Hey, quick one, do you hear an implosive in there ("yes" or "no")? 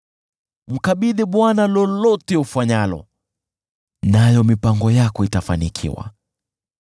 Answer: yes